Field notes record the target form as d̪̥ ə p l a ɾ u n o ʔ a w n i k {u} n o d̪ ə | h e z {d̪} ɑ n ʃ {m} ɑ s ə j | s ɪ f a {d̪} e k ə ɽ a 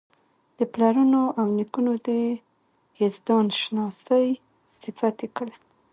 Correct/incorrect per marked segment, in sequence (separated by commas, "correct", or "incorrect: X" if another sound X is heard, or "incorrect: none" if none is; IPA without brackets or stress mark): correct, correct, incorrect: n, incorrect: t̪